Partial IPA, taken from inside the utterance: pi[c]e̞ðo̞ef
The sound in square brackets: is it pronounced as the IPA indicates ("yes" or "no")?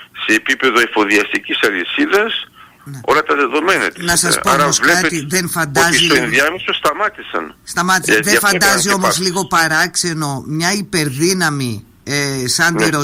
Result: no